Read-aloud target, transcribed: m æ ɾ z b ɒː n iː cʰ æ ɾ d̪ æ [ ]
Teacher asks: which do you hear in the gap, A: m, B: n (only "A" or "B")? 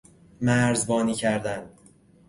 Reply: B